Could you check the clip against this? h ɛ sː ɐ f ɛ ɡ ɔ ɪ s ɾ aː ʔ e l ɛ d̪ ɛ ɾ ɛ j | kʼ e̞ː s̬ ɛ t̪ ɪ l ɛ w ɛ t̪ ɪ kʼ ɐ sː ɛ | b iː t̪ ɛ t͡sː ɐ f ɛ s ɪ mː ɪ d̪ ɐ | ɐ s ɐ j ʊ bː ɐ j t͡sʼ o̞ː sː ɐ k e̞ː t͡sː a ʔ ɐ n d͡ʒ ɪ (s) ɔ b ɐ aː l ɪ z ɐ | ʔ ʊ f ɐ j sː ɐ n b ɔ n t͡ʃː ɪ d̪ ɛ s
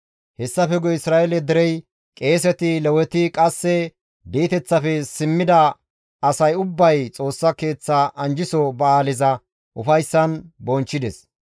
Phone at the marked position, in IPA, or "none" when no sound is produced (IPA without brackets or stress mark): s